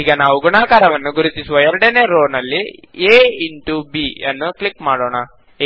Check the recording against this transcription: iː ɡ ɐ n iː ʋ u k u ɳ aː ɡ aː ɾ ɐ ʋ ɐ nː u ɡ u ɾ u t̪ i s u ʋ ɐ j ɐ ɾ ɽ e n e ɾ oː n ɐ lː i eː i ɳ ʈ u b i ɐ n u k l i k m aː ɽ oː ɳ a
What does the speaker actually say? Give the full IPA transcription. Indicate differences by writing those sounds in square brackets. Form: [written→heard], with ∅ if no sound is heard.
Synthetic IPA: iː ɡ ɐ n [iː→aː] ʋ u [k→ɡ] u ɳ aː [ɡ→k] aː ɾ ɐ ʋ ɐ nː u ɡ u ɾ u t̪ i s u ʋ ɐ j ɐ ɾ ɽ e n e ɾ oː n ɐ lː i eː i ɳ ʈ u b i ɐ [n→nː] u k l i k m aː ɽ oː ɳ a

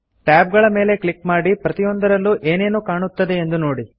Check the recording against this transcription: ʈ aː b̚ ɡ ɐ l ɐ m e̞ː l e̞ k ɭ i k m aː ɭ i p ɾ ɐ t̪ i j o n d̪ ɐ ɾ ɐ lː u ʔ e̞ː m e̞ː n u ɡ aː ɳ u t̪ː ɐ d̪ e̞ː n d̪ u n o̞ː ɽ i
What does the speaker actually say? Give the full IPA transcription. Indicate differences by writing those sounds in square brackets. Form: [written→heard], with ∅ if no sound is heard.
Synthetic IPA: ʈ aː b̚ ɡ ɐ [l→ɭ] ɐ m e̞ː l e̞ k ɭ i k m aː [ɭ→ɽ] i p ɾ ɐ t̪ i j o n d̪ ɐ ɾ ɐ lː u ʔ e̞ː [m→n] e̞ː n u [ɡ→k] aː ɳ u t̪ː ɐ d̪ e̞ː n d̪ u n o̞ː ɽ i

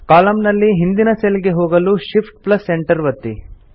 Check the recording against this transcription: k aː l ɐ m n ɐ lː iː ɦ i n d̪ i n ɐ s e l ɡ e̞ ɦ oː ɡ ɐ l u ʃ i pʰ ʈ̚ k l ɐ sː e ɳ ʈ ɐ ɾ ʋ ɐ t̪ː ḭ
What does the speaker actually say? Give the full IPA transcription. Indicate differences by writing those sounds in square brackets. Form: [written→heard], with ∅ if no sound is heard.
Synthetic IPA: k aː l ɐ m n ɐ lː [iː→i] ɦ i n d̪ i n ɐ s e l ɡ e̞ ɦ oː ɡ ɐ l u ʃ i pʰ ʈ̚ [k→p] l ɐ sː e ɳ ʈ ɐ ɾ ʋ ɐ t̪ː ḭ

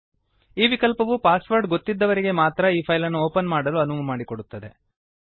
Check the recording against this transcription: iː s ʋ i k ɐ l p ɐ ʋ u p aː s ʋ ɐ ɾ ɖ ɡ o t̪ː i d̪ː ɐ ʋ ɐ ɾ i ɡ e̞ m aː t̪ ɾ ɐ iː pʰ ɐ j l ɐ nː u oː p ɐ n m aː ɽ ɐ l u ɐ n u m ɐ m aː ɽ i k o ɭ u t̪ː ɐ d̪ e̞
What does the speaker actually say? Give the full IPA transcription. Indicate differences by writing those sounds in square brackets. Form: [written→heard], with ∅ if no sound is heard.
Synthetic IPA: iː [s→∅] ʋ i k ɐ l p ɐ ʋ u p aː s ʋ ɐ ɾ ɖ ɡ o t̪ː i d̪ː ɐ ʋ ɐ ɾ i ɡ e̞ m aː t̪ ɾ ɐ iː pʰ ɐ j l ɐ nː u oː p ɐ n m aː ɽ ɐ l u ɐ n u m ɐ m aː ɽ i k o [ɭ→ɽ] u t̪ː ɐ d̪ e̞

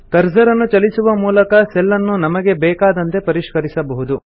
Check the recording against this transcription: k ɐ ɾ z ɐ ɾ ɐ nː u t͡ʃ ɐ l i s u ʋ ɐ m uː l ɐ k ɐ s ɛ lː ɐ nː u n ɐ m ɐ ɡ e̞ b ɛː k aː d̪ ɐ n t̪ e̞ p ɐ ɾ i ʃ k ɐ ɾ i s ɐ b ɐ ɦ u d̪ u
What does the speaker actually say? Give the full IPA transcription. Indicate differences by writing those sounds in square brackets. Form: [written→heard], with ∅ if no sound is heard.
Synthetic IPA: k ɐ ɾ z ɐ ɾ ɐ nː u t͡ʃ ɐ l i s u ʋ ɐ m uː l ɐ k ɐ s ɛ lː ɐ nː u n ɐ m ɐ ɡ e̞ b ɛː k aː d̪ ɐ n t̪ e̞ p ɐ ɾ i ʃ k ɐ ɾ i s ɐ b ɐ ɦ u d̪ u

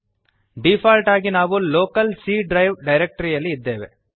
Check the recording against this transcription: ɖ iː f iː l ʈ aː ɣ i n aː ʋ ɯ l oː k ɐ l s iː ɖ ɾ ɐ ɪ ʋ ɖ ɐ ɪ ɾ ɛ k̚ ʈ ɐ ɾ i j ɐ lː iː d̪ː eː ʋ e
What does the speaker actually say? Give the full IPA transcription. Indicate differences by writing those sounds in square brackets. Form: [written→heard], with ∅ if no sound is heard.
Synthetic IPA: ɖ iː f [iː→aː] l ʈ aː ɣ i n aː ʋ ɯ l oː k ɐ l s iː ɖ ɾ ɐ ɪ ʋ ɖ ɐ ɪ ɾ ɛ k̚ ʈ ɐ ɾ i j ɐ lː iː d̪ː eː ʋ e

